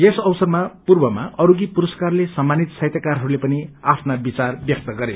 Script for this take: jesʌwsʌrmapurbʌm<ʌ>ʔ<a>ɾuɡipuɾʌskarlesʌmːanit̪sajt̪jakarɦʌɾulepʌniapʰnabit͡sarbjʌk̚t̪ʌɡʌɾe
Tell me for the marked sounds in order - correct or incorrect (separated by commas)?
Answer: incorrect, incorrect